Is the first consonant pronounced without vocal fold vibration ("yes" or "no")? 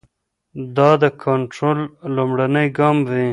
no